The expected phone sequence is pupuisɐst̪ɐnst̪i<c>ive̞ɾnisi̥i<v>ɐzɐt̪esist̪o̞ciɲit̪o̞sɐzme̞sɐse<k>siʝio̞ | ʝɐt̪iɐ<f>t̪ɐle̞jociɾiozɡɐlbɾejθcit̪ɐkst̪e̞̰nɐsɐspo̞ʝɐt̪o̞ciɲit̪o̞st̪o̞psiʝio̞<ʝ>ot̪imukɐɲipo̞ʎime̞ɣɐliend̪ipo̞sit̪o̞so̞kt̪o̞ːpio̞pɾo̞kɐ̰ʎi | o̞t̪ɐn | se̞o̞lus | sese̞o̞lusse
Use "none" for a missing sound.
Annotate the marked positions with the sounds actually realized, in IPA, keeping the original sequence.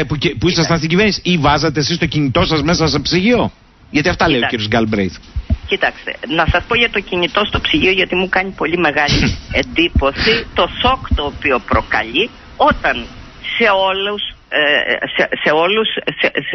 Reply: ɟ, v, p, f, ʝ

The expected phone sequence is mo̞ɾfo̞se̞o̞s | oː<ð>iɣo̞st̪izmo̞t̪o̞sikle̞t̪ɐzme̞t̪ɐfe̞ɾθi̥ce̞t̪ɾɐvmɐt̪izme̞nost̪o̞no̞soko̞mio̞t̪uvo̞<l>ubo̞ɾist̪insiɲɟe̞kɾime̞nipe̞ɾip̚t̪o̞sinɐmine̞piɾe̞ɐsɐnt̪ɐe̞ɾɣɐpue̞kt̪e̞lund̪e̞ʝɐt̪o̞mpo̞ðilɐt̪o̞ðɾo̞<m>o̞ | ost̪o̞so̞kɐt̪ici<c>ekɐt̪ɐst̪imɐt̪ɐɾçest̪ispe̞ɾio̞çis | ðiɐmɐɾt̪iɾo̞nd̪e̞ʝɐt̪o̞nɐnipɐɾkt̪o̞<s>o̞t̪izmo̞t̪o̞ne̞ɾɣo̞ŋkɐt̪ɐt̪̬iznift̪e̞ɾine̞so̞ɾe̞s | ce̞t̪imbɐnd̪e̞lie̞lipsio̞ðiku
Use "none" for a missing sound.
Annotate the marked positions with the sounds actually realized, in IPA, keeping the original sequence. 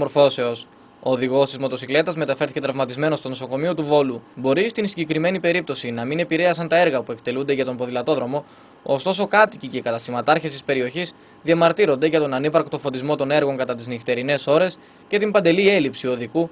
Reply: ð, l, m, c, f

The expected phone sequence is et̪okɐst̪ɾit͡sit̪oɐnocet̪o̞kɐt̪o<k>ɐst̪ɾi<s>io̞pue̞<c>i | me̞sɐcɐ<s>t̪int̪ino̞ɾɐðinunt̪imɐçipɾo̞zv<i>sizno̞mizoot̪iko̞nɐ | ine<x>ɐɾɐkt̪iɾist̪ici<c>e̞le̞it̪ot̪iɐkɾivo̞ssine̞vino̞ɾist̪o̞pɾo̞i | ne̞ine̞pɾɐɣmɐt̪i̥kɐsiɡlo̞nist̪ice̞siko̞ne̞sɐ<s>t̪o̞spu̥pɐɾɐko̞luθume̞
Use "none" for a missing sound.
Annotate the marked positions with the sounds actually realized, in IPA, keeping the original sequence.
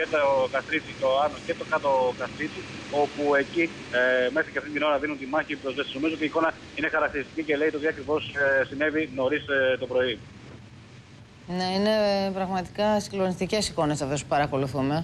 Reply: k, t͡s, c, f, e, x, c, f

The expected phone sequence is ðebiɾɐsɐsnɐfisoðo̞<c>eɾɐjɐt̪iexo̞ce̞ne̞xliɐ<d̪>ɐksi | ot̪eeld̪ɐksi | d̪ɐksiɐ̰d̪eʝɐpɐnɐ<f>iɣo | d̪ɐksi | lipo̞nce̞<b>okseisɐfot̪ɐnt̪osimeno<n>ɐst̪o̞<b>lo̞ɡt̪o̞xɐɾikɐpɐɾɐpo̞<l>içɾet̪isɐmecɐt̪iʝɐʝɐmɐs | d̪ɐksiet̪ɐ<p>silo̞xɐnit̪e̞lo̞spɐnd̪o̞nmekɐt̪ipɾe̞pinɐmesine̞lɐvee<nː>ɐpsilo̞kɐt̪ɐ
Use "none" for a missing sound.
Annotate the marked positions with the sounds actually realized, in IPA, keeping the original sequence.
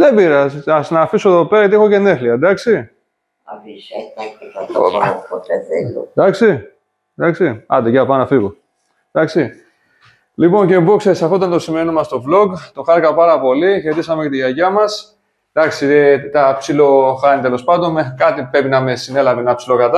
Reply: p, d̪, f, b, m, v, l, p, n

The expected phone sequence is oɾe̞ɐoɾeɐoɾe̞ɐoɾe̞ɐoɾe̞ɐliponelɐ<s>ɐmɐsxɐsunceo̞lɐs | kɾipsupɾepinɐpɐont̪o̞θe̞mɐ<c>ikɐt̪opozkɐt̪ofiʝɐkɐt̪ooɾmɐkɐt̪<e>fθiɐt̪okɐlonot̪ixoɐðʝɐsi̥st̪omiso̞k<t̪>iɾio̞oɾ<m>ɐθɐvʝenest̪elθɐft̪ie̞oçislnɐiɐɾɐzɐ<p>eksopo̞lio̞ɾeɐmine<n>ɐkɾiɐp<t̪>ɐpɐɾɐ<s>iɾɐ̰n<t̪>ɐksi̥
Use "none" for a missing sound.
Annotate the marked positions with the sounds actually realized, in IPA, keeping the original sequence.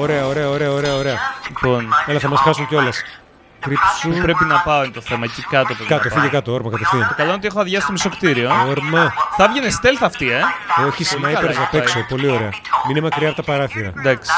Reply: θ, c, e, t̪, m, p, m, t̪, θ, d̪

